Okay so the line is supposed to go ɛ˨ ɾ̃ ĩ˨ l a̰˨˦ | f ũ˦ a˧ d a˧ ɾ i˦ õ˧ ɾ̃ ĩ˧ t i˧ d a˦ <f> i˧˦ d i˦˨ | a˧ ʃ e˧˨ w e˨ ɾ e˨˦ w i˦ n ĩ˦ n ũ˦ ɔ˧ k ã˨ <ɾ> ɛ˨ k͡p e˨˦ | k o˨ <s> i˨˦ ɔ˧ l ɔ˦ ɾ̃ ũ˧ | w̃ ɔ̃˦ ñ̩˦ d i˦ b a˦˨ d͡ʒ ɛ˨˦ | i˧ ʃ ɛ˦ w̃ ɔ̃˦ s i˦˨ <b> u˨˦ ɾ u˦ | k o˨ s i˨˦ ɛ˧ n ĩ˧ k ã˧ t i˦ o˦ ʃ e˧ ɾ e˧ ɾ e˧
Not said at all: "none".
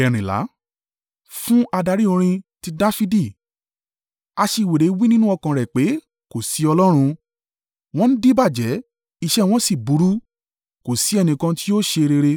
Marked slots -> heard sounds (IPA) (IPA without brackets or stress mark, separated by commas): f, ɾ, s, b